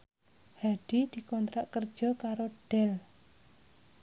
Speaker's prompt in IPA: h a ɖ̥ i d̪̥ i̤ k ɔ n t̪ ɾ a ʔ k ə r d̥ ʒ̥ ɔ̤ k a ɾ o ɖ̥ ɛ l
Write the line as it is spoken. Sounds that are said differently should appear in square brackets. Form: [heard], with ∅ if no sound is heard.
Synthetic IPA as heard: h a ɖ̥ i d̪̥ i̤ k ɔ n t̪ ɾ a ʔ k ə r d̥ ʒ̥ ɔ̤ k a ɾ o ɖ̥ ɛ l